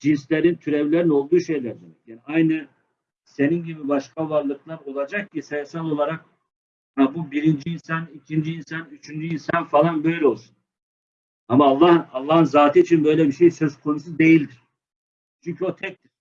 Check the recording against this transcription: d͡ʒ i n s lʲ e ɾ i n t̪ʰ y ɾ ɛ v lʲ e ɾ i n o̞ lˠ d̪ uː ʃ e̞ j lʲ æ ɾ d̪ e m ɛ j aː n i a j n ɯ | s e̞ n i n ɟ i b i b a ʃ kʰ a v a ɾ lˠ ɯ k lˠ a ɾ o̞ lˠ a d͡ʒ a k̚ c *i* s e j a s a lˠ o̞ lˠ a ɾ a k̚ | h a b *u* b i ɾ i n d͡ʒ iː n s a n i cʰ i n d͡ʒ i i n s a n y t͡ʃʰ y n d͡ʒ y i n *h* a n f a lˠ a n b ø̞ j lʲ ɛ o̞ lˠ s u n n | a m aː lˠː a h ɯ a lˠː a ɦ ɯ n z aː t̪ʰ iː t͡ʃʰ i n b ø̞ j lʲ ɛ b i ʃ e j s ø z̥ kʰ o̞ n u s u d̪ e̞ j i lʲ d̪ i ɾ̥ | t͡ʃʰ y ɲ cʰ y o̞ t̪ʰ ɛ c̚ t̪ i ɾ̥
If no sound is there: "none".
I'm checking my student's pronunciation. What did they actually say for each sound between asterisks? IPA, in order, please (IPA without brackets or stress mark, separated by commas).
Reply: i, u, s